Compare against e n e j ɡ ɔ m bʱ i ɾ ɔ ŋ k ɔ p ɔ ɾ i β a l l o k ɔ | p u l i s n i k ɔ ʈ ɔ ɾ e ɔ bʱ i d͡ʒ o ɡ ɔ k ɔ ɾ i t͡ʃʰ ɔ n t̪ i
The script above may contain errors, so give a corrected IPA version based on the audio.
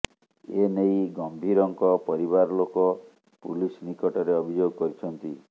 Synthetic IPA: e n e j ɡ ɔ m bʱ i ɾ ɔ ŋ k ɔ p ɔ ɾ i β a ɾ l o k ɔ | p u l i s n i k ɔ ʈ ɔ ɾ e ɔ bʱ i d͡ʒ o ɡ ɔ k ɔ ɾ i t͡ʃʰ ɔ n t̪ i